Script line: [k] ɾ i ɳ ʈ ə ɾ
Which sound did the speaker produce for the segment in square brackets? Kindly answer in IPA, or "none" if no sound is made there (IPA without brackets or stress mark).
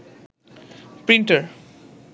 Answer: p